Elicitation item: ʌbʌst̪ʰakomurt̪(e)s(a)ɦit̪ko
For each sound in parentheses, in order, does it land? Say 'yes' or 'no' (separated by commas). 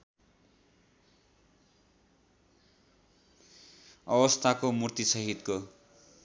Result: no, no